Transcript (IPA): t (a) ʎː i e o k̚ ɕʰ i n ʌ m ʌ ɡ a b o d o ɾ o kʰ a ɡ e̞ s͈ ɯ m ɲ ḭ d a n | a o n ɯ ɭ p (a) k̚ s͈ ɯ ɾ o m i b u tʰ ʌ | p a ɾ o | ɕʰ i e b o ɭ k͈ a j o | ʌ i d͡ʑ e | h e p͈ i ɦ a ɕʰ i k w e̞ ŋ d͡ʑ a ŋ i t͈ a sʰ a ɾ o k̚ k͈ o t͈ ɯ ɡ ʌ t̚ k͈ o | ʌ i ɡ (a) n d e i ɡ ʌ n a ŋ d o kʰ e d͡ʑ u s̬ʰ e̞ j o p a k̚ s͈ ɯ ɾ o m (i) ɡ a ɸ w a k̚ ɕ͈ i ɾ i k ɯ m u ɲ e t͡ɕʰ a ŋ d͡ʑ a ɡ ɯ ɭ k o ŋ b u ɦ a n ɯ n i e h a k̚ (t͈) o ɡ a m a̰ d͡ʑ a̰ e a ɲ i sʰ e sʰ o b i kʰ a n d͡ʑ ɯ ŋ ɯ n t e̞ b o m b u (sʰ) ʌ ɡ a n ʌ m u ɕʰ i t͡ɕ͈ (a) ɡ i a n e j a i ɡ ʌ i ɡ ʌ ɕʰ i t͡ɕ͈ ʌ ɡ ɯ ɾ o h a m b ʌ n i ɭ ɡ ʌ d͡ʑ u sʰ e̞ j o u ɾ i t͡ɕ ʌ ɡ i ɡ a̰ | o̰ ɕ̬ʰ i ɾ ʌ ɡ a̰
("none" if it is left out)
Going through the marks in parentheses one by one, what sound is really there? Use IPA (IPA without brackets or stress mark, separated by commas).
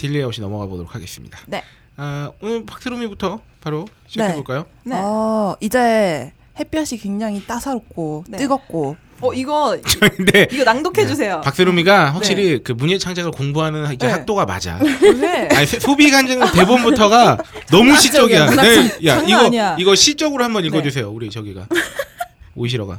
i, a, ʌ, i, t͈, tʰ, ʌ